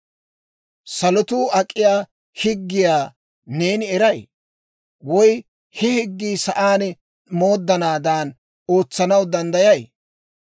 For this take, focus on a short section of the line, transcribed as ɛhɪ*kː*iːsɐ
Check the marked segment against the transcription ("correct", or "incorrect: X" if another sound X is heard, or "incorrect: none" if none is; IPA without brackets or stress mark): incorrect: ɡː